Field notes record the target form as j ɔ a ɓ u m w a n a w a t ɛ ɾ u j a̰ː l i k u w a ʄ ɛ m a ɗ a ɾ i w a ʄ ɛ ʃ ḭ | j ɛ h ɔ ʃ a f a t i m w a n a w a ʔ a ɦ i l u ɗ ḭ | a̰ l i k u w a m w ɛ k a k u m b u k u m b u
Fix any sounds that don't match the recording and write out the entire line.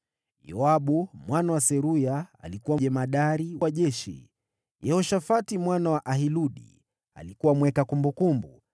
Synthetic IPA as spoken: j ɔ a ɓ u m w a n a w a s ɛ ɾ u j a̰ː l i k u w a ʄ ɛ m a ɗ a ɾ i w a ʄ ɛ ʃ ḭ | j ɛ h ɔ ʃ a f a t i m w a n a w a ʔ a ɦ i l u ɗ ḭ | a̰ l i k u w a m w ɛ k a k u m b u k u m b u